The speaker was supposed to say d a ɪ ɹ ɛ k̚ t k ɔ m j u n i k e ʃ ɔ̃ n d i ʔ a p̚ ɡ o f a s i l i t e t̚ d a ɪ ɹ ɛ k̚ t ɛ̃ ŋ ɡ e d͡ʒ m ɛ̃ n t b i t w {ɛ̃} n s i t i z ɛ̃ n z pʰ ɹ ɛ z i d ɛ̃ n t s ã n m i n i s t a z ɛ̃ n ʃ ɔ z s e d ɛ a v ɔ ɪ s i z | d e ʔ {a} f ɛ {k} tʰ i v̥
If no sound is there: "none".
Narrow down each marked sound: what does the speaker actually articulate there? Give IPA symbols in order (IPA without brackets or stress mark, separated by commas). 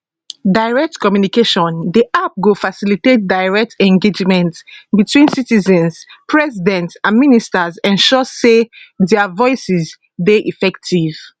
ĩ, i, k